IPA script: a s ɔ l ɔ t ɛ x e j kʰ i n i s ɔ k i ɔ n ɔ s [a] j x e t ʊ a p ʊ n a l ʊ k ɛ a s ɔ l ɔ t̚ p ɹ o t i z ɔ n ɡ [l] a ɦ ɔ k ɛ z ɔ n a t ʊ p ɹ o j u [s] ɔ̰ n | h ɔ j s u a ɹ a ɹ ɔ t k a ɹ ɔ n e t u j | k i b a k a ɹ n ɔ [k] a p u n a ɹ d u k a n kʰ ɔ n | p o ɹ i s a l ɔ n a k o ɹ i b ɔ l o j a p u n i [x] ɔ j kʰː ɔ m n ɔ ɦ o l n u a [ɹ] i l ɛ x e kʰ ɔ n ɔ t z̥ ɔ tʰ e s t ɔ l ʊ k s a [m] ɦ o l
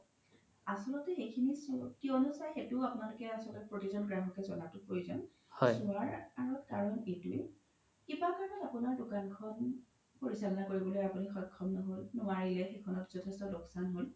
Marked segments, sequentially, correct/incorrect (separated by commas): correct, incorrect, incorrect, incorrect, correct, correct, incorrect